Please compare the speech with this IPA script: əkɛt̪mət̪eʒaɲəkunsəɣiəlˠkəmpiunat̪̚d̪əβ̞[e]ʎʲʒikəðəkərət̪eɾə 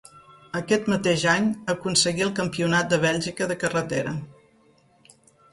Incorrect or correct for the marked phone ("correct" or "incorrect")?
incorrect